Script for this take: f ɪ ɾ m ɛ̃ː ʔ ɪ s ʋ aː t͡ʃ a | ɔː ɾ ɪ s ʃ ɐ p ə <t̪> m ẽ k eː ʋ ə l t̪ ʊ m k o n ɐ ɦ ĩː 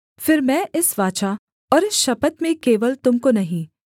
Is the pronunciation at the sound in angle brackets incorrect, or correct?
correct